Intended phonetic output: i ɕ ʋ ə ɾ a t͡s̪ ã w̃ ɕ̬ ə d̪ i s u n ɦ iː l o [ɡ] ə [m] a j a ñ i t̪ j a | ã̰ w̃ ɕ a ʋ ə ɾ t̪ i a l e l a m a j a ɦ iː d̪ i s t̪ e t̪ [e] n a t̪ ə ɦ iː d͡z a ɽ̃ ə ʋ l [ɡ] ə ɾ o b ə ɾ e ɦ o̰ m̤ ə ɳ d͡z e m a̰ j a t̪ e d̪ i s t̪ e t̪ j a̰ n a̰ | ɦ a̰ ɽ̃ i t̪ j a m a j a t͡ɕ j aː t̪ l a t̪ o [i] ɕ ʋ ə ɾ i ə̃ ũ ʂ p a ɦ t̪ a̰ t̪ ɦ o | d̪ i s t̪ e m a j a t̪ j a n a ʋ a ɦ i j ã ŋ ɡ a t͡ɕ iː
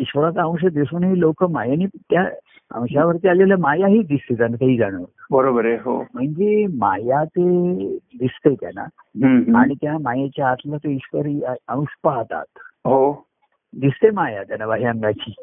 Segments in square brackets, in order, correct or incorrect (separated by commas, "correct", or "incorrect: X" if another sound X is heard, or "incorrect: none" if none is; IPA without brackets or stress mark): incorrect: k, correct, incorrect: a, incorrect: b, correct